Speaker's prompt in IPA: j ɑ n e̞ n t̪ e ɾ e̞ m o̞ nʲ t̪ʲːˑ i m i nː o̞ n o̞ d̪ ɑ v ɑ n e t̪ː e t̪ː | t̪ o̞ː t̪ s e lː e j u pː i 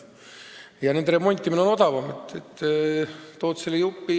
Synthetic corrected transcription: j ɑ n e̞ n d̪ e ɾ e̞ m o̞ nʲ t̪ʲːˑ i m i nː o̞ n o̞ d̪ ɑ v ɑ m e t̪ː e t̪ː | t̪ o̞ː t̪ s e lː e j u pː i

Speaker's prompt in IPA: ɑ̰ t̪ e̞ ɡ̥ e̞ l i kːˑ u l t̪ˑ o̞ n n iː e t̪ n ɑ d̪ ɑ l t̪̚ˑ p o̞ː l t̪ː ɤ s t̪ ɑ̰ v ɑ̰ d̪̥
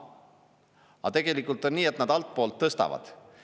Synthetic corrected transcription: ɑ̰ t̪ e̞ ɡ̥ e̞ l i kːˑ u l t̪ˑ o̞ n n iː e t̪ n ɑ d̪ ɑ l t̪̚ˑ p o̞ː l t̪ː ɤ s t̪ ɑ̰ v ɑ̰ d̪̥

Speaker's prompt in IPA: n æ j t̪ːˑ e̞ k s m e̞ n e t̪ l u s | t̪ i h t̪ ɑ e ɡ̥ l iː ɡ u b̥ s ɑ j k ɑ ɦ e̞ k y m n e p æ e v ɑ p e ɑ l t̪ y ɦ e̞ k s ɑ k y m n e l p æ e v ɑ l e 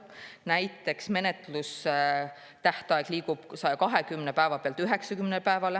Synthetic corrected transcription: n æ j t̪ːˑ e̞ k s m e̞ n e t̪ l u s | t̪ æ h t̪ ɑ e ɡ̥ l iː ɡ u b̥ s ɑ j k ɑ ɦ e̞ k y m n e p æ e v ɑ p e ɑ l t̪ y ɦ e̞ k s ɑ k y m n e l p æ e v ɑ l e

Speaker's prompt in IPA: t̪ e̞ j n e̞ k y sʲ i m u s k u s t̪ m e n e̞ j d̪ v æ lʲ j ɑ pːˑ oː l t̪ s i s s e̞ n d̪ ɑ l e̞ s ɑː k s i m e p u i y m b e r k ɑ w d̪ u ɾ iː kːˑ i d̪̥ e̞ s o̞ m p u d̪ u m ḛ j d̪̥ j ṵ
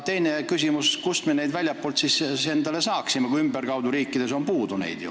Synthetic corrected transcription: t̪ e̞ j n e̞ k y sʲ i m u s k u s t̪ m e n e̞ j d̪ v æ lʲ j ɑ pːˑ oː l t̪ s i s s e̞ n d̪ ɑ l e̞ s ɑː k s i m e k u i y m b e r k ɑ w d̪ u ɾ iː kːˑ i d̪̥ e̞ s o̞ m p uː d̪ u n ḛ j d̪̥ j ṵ

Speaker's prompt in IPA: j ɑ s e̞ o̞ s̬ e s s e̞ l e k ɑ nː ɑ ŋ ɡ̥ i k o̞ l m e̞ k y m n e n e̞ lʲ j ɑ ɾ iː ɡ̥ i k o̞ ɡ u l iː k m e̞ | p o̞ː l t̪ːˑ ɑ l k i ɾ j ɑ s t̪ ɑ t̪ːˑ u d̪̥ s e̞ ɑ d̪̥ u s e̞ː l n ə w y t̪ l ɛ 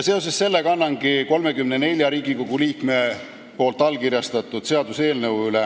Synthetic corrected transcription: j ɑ s e̞ o̞ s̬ e s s e̞ lː e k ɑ nː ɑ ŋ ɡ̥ i k o̞ l m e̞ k y m n e n e̞ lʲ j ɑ ɾ iː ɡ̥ i k o̞ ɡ u l iː k m e̞ | p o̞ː l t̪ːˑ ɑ l k i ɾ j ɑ s t̪ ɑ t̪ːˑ u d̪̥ s e̞ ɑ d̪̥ u s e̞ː l n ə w y l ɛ

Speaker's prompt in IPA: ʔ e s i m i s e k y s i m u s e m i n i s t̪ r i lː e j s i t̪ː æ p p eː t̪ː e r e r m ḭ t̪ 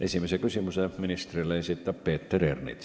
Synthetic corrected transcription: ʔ e s i m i s e k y s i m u s e m i n i s t̪ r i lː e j s i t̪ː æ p p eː t̪ː e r e r n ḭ t̪

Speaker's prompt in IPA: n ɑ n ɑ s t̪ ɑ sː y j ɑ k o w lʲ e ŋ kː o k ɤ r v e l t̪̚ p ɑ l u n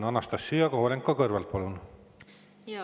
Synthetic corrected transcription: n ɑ n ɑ s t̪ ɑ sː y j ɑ k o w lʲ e ŋ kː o k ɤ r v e l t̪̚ p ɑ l u n

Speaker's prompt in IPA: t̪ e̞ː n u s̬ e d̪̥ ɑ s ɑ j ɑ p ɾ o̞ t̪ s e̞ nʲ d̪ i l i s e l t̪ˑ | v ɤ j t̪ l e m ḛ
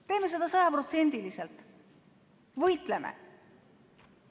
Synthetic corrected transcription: t̪ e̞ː n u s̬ e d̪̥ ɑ s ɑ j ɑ p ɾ o̞ t̪ s e̞ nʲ d̪ i l i s e l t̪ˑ | v ɤ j t̪ l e m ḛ

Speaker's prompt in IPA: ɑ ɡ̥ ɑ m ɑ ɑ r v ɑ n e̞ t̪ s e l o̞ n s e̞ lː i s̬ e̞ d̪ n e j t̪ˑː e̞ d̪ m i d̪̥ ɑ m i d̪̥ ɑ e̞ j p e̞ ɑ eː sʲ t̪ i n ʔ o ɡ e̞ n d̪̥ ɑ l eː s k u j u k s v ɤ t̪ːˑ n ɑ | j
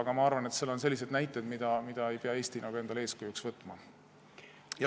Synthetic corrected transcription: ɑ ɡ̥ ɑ m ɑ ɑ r v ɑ n e̞ t̪ s e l o̞ n s e̞ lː i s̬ e̞ d̪ n æ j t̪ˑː e̞ d̪ m i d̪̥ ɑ m i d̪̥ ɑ e̞ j p e̞ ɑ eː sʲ t̪ i n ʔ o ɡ e̞ n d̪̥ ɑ l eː s k u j u k s v ɤ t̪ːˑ m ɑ | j

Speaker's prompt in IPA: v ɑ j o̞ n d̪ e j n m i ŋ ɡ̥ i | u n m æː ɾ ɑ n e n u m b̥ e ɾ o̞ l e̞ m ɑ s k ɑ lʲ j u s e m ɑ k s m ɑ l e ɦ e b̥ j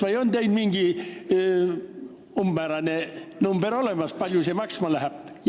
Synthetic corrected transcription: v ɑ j o̞ n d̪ e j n m i ŋ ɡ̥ i | u m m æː ɾ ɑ n e n u m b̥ e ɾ o̞ l e̞ m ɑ s p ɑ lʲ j u s e m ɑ k s m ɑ l æ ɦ æ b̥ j

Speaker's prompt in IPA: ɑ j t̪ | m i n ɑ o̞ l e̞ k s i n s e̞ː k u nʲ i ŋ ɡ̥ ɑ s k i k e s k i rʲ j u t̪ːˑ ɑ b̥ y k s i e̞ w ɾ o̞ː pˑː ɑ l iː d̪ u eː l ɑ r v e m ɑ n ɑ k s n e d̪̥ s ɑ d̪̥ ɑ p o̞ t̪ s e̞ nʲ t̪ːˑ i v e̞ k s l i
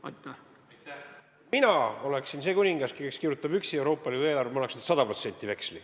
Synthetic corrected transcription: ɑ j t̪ | m i n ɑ o̞ l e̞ k s i n s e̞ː k u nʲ i ŋ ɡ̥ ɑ s k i k e s k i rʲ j u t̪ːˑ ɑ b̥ y k s i e̞ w ɾ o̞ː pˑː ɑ l iː d̪ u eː l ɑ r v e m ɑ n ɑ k s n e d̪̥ s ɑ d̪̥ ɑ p o̞ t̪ s e̞ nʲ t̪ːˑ i v e̞ k s l i

